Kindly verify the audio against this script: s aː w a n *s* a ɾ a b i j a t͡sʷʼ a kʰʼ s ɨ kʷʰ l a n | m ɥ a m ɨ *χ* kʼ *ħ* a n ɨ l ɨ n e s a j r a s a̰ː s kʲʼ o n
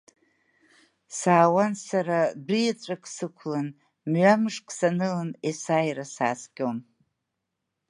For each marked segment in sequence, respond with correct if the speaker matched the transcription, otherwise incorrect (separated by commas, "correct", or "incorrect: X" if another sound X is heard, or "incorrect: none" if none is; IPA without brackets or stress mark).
correct, incorrect: ʂ, incorrect: s